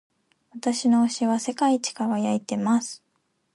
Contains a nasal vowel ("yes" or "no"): no